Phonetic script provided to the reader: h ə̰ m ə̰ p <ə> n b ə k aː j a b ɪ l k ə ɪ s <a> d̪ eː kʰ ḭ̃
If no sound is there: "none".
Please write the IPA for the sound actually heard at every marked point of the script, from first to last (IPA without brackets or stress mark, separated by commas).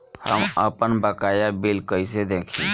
ə, e